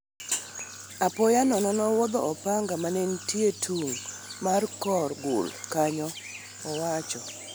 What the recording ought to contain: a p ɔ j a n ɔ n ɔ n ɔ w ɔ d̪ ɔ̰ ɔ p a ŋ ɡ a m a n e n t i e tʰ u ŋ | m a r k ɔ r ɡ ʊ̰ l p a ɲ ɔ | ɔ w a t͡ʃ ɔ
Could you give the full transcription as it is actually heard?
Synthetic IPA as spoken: a p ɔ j a n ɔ n ɔ n ɔ w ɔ d̪ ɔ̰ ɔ p a ŋ ɡ a m a n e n t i e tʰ u ŋ | m a r k ɔ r ɡ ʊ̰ l k a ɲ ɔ | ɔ w a t͡ʃ ɔ